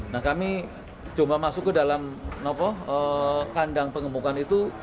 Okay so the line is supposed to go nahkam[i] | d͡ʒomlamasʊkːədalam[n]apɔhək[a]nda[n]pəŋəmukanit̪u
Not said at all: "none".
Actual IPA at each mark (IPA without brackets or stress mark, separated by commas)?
i, n, a, ŋ